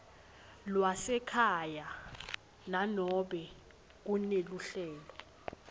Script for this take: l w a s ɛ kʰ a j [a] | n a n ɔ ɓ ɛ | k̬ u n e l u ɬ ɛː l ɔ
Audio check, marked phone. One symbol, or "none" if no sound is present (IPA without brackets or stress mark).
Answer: a